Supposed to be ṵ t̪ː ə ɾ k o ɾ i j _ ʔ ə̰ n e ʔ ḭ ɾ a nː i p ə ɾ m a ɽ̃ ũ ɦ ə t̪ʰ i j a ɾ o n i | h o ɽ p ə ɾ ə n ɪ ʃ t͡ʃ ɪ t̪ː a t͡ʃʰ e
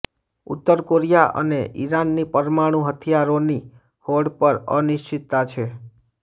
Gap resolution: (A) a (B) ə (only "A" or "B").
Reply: A